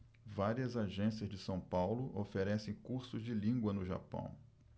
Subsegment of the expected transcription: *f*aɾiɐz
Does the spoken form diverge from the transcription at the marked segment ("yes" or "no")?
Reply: yes